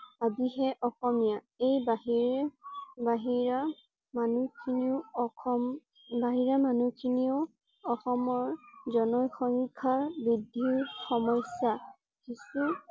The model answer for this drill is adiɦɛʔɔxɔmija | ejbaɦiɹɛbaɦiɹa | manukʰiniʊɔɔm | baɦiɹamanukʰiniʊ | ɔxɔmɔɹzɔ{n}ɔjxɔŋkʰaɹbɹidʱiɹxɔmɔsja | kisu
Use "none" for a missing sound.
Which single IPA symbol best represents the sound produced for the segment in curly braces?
n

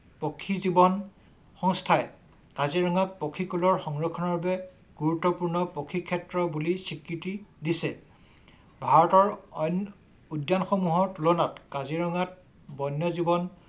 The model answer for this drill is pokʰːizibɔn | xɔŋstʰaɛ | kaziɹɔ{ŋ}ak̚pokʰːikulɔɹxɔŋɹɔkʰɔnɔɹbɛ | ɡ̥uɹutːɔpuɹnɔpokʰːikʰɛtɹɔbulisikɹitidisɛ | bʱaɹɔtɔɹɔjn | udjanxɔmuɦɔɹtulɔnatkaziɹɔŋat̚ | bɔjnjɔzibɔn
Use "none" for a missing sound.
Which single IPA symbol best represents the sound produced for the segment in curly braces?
ŋ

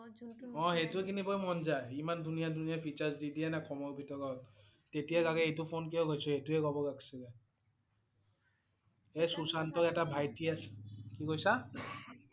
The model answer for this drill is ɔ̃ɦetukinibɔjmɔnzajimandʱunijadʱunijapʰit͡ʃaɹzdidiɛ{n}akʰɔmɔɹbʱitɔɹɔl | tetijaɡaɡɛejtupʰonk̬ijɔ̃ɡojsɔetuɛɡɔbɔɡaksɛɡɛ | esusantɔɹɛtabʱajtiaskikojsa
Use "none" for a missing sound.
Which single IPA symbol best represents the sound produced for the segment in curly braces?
n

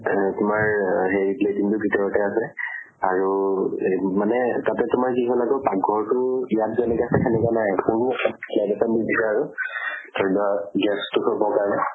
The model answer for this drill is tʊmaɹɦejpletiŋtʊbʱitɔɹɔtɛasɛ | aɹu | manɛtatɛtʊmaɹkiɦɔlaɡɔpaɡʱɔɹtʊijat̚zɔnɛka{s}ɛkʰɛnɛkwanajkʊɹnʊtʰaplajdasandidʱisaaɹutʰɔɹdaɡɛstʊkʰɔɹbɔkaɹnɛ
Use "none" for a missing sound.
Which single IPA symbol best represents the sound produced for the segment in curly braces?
s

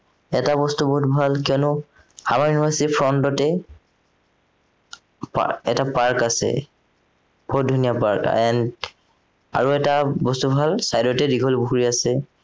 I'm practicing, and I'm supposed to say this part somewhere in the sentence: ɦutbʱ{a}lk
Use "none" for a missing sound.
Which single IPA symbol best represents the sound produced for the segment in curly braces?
a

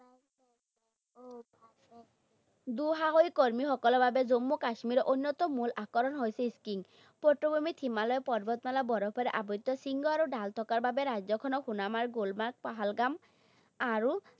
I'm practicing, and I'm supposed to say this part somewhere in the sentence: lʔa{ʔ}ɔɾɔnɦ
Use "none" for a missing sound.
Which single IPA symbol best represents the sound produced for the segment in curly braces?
k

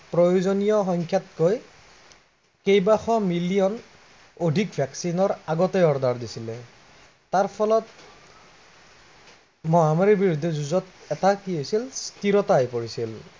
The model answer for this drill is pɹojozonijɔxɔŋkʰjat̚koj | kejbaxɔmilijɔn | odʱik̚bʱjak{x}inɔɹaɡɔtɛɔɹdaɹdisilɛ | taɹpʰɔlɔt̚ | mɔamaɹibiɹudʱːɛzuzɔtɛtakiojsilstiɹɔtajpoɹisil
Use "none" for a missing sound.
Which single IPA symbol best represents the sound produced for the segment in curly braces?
s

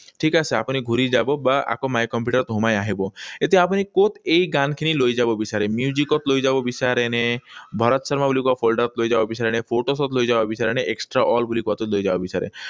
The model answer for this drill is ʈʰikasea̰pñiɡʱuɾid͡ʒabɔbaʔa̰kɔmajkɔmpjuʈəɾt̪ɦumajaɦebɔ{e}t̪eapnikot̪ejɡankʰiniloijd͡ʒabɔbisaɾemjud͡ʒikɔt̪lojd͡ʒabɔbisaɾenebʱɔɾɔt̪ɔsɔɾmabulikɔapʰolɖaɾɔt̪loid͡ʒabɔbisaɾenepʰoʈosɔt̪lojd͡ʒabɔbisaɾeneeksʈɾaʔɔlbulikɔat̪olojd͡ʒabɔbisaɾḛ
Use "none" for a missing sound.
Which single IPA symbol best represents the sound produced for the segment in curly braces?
e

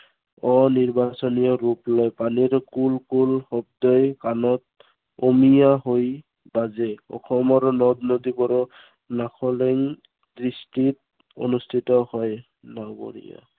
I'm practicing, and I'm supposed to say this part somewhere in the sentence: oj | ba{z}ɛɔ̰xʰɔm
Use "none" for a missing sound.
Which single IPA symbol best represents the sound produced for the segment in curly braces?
z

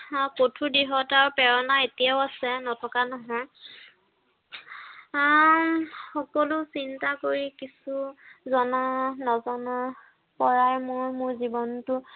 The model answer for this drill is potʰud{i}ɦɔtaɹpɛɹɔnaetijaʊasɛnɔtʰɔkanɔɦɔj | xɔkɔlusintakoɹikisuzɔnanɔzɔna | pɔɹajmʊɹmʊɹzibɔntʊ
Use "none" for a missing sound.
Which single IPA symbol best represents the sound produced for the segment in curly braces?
i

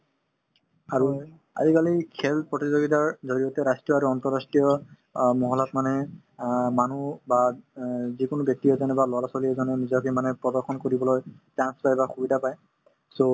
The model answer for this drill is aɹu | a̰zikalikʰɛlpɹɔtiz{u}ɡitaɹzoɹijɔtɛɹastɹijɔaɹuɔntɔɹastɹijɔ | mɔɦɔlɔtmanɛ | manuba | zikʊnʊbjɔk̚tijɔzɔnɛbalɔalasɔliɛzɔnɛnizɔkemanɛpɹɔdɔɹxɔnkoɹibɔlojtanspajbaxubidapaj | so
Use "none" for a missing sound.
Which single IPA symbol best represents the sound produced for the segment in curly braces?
o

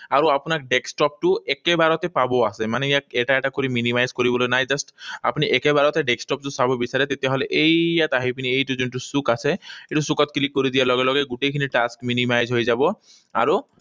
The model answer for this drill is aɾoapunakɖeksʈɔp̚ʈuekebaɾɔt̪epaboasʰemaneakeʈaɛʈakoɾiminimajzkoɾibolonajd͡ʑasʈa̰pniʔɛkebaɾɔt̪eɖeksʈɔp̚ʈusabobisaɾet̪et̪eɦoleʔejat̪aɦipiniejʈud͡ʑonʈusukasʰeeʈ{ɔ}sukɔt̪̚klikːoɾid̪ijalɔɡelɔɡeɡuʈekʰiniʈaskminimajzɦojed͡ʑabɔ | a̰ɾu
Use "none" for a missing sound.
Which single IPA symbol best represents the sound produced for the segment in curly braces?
u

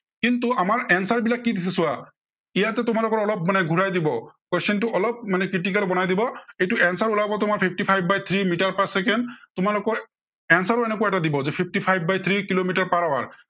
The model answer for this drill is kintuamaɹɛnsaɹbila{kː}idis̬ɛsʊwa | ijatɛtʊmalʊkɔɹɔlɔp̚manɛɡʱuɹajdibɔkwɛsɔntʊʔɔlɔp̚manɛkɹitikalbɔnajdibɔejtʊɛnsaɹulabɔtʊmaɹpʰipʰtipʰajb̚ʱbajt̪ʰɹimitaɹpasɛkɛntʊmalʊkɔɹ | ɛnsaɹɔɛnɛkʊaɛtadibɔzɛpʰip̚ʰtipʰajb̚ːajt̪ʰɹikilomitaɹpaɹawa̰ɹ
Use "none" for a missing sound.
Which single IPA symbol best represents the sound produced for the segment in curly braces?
kː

